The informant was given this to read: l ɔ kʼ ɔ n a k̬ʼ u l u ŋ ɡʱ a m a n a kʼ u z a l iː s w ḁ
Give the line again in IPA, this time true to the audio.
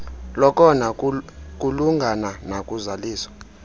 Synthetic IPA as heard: l ɔ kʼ ɔ n a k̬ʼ u l u ŋ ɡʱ a n a n a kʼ u z a l iː s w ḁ